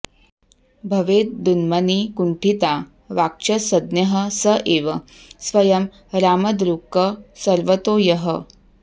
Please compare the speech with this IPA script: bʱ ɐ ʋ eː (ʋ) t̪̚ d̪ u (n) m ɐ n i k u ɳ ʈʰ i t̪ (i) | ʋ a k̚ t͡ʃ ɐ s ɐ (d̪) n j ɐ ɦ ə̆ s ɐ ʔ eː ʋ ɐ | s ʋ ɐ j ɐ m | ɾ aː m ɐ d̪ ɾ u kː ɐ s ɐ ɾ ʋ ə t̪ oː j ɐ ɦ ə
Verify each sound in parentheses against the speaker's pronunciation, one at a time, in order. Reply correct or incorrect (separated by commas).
incorrect, correct, incorrect, correct